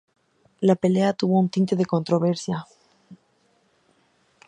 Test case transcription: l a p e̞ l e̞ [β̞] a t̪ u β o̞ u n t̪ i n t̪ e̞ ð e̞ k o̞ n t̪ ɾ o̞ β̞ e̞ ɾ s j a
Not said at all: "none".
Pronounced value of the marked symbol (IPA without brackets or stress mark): none